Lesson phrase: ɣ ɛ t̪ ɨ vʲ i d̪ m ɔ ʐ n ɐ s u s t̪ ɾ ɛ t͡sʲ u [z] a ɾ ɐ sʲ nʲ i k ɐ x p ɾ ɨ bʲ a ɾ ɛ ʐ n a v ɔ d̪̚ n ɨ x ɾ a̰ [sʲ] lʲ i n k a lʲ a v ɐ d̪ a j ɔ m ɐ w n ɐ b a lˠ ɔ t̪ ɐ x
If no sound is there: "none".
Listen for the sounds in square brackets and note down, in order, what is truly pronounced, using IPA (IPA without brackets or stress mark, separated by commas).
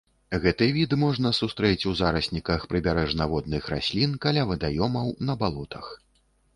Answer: z, sʲ